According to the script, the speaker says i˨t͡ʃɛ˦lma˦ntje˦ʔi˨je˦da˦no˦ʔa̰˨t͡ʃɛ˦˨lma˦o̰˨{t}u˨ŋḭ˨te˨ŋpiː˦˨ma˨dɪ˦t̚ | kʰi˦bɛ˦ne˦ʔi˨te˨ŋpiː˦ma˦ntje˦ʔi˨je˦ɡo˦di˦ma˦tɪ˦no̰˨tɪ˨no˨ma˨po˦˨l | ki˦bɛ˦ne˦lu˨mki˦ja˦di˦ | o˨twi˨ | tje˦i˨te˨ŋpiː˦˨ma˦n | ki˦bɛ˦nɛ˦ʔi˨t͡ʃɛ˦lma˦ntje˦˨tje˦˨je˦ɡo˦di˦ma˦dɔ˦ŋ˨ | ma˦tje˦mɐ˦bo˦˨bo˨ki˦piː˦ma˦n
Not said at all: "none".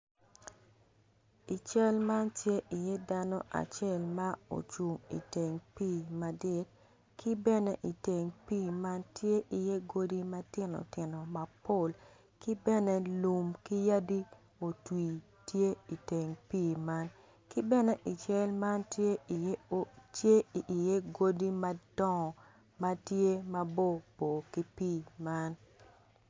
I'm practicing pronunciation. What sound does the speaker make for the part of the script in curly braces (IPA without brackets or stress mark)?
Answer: t͡ʃ